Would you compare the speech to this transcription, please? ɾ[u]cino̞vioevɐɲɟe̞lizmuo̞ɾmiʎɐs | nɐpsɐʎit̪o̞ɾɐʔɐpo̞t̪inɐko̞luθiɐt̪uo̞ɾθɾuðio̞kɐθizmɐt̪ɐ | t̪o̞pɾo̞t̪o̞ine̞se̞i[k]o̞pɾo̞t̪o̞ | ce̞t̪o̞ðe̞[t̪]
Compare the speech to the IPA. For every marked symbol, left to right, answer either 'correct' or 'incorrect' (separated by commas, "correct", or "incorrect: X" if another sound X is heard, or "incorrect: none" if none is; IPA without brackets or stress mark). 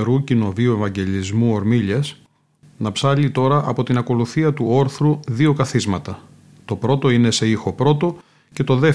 correct, incorrect: x, incorrect: none